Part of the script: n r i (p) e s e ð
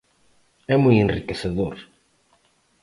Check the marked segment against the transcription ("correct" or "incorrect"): incorrect